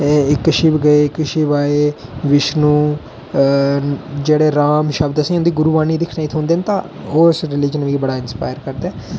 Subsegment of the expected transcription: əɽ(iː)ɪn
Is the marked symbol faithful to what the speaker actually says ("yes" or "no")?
no